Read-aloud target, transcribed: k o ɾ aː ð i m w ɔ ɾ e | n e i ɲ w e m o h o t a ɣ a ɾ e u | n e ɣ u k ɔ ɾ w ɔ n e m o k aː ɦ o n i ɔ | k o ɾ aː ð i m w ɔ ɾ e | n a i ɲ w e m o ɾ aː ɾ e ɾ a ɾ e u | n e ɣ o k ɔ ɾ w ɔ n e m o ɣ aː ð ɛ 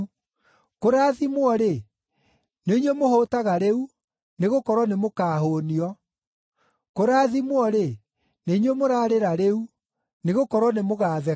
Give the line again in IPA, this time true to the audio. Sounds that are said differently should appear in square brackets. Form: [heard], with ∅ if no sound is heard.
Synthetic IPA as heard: k o ɾ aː ð i m w ɔ ɾ e | n e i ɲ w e m o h o t a ɣ a ɾ e u | n e ɣ [o] k ɔ ɾ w ɔ n e m o k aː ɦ o n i ɔ | k o ɾ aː ð i m w ɔ ɾ e | n [e] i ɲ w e m o ɾ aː ɾ e ɾ a ɾ e u | n e ɣ o k ɔ ɾ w ɔ n e m o ɣ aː ð ɛ